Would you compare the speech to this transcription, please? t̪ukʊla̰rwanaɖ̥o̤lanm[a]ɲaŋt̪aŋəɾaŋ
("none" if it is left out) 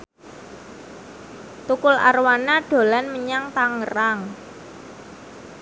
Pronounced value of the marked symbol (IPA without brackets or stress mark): ə